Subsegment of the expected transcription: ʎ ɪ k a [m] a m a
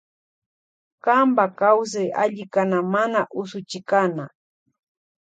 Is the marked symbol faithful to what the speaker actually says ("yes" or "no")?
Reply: no